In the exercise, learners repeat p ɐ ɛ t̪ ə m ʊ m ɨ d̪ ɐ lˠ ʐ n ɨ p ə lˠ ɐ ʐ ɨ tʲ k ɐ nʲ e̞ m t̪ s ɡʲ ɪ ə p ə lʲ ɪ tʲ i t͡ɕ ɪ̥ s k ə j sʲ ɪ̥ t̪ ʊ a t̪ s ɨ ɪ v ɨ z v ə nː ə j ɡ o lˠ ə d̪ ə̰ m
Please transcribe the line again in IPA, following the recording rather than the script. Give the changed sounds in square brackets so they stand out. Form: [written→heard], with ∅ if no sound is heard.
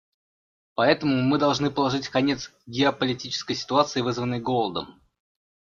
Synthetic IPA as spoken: p ɐ ɛ t̪ ə m ʊ m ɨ d̪ ɐ lˠ ʐ n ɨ p ə lˠ ɐ ʐ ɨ tʲ k ɐ nʲ e̞ [m→∅] t̪ s ɡʲ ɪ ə p ə lʲ ɪ tʲ i t͡ɕ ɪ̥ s k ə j sʲ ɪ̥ t̪ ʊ a t̪ s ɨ ɪ v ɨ z v ə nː ə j ɡ o lˠ ə d̪ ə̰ m

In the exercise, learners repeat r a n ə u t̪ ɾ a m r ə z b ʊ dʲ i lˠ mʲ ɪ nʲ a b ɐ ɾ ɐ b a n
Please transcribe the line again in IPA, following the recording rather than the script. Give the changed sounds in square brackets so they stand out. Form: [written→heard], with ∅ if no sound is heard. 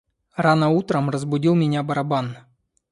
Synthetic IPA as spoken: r a n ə u t̪ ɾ [a→ə] m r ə z b ʊ dʲ i lˠ mʲ ɪ nʲ a b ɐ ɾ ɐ b a n

